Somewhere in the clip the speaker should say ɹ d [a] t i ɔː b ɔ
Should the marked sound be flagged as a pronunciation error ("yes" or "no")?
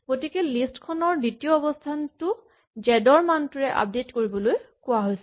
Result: yes